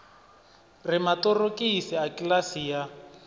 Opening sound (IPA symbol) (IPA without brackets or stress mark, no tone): r